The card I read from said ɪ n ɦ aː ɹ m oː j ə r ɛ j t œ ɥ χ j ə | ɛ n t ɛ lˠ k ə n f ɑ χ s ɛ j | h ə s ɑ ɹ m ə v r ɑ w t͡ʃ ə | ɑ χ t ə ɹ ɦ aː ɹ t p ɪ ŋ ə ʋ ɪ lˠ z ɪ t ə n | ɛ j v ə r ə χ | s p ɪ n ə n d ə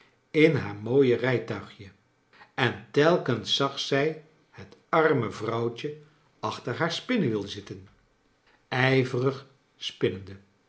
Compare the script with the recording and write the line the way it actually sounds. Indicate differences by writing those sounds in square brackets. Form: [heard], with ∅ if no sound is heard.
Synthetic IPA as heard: ɪ n ɦ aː ɹ m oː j ə r ɛ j t œ ɥ χ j ə | ɛ n t ɛ lˠ k ə n [s] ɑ χ s ɛ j | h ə [t] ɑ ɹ m ə v r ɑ w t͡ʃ ə | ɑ χ t ə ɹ ɦ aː ɹ [s] p ɪ [n] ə ʋ ɪ lˠ z ɪ t ə n | ɛ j v ə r ə χ | s p ɪ n ə n d ə